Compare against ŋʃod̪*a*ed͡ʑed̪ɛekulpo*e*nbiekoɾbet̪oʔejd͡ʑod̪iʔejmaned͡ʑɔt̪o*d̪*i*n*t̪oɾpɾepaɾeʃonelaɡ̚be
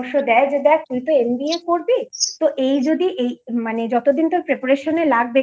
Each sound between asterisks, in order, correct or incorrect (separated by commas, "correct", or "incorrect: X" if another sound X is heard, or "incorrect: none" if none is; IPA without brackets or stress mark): incorrect: ɛ, correct, correct, correct